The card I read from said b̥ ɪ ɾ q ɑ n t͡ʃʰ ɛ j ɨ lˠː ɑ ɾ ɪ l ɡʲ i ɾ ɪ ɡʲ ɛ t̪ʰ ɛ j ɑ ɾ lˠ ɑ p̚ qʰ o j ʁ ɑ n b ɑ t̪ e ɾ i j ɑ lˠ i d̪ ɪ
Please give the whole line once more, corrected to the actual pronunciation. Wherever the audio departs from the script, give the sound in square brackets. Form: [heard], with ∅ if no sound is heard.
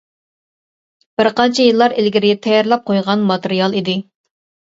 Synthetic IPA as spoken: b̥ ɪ ɾ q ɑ n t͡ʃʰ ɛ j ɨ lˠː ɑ ɾ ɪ l ɡʲ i ɾ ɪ ɡʲ ɛ t̪ʰ ɛ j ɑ ɾ lˠ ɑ p̚ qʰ o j ʁ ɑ n [m] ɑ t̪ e ɾ i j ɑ lˠ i d̪ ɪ